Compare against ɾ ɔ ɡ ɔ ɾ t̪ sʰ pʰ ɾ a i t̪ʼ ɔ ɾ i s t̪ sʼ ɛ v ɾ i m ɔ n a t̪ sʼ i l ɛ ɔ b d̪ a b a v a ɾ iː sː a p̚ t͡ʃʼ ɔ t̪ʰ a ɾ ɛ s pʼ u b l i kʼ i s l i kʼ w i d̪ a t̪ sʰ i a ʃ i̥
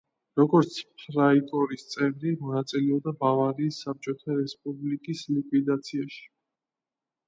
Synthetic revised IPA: ɾ ɔ ɡ ɔ ɾ t̪ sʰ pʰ ɾ a i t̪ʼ ɔ ɾ i s t̪ sʼ ɛ v ɾ i m ɔ n a t̪ sʼ i l ɛ ɔ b d̪ a b a v a ɾ iː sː a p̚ t͡ʃʼ ɔ t̪ʰ a ɾ ɛ s pʼ u b l i kʼ i s l i kʼ w i d̪ a t̪ sʰ i a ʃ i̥